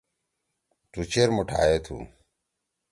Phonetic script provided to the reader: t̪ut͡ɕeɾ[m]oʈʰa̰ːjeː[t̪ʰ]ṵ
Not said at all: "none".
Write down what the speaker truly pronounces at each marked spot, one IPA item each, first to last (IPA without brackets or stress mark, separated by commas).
m, t̪ʰ